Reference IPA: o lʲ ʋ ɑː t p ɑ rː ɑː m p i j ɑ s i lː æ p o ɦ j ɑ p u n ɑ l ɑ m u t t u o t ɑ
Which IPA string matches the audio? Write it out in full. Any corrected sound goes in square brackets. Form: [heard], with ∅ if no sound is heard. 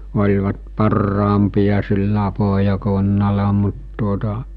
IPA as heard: o lʲ ʋ [ɑ] t p ɑ rː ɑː m p i j ɑ s i lː æ p o ɦ j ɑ [k] u [nː] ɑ l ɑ m u t t u o t ɑ